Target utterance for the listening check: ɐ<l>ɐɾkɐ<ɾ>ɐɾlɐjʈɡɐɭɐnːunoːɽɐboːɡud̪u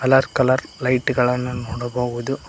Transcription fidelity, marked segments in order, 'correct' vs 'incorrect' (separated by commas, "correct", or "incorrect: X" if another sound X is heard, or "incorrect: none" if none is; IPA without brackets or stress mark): correct, incorrect: l